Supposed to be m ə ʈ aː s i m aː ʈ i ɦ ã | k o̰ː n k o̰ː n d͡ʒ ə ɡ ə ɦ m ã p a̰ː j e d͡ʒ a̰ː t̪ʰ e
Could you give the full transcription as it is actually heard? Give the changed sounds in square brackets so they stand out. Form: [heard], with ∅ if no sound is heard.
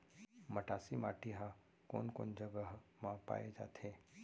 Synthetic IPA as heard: m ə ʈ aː s i m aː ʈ i ɦ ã | k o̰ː n k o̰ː n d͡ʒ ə ɡ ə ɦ m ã p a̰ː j e d͡ʒ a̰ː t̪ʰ e